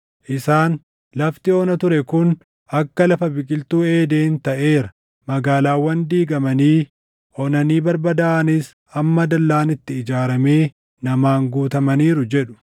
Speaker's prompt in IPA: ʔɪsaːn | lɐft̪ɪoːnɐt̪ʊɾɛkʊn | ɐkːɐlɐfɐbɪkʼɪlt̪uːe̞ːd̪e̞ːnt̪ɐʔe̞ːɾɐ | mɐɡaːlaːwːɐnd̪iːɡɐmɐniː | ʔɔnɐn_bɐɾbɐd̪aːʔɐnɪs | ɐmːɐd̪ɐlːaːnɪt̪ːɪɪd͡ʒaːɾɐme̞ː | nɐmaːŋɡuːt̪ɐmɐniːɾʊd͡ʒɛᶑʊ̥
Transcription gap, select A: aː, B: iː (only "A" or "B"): B